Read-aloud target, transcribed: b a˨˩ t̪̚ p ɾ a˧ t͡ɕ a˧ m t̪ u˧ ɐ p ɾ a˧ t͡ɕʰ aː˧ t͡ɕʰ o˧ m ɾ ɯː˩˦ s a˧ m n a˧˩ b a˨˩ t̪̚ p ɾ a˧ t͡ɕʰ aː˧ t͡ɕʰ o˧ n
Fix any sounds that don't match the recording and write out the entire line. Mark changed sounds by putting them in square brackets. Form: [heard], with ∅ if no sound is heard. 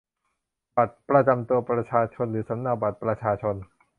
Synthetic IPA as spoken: b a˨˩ t̪̚ p ɾ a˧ t͡ɕ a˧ m t̪ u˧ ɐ p ɾ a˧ t͡ɕʰ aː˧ t͡ɕʰ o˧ [n] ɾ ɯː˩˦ s [a˩˦] m n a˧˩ b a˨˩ t̪̚ p ɾ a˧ t͡ɕʰ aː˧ t͡ɕʰ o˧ n